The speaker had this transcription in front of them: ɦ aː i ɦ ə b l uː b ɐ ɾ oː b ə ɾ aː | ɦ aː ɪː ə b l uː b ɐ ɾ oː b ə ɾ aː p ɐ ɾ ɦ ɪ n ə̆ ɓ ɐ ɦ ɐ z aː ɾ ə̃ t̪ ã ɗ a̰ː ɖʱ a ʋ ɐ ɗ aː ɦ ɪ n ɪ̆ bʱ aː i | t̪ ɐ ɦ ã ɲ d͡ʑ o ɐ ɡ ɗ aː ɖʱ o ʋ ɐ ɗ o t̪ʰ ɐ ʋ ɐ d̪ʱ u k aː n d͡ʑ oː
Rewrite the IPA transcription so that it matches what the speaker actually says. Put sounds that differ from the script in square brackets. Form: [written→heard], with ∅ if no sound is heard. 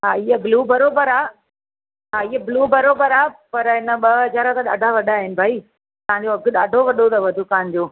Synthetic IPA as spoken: ɦ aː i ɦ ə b l uː b ɐ ɾ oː b ə ɾ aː | ɦ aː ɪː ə b l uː b ɐ ɾ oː b ə ɾ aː p ɐ ɾ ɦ ɪ n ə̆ ɓ ɐ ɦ ɐ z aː ɾ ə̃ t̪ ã ɗ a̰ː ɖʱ a ʋ ɐ ɗ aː ɦ ɪ n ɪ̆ bʱ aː i | t̪ ɐ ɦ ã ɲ d͡ʑ o ɐ ɡ ɗ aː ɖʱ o ʋ ɐ ɗ o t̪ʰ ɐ ʋ ɐ d̪ʱ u k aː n d͡ʑ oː